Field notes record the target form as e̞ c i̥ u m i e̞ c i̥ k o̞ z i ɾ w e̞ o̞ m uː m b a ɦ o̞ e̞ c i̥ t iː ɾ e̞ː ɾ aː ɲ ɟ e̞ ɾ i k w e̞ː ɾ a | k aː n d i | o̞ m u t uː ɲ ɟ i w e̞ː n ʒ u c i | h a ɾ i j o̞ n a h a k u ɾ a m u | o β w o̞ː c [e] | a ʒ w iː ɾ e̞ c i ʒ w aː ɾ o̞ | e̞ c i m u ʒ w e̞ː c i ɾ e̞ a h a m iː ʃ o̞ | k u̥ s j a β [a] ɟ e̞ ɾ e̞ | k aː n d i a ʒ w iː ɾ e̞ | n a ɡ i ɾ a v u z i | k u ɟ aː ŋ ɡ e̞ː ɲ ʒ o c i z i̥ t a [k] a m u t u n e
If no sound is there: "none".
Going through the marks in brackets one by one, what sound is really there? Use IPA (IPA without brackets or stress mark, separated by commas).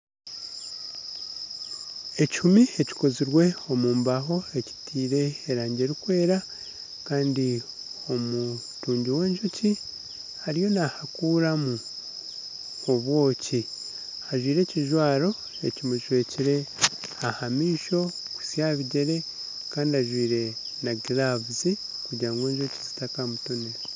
i, i, k